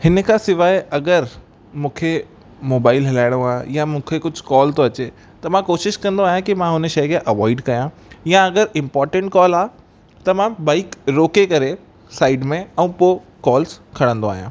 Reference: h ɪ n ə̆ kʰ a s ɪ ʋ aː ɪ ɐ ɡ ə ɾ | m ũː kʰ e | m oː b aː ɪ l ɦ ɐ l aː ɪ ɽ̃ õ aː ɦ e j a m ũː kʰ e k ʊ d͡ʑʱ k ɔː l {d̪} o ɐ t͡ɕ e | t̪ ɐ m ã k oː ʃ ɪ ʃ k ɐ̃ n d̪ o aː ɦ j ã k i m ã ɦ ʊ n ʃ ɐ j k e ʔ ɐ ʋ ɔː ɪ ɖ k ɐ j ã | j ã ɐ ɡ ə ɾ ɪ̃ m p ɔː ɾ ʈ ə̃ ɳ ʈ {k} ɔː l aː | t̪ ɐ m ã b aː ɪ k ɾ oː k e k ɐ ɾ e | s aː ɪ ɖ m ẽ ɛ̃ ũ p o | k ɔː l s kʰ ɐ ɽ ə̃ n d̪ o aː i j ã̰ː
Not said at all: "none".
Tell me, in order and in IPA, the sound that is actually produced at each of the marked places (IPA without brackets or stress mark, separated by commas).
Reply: t̪, k